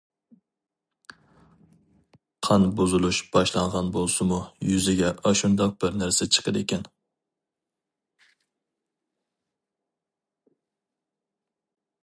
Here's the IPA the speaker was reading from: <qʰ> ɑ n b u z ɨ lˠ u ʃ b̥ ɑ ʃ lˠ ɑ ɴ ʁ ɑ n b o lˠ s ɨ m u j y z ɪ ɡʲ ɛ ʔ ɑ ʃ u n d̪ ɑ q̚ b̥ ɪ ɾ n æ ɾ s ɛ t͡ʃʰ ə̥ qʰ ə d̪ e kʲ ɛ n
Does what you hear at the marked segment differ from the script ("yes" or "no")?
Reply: no